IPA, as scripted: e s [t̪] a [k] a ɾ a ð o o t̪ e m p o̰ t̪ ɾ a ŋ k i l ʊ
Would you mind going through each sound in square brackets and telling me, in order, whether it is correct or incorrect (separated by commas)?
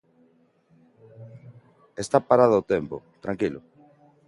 correct, incorrect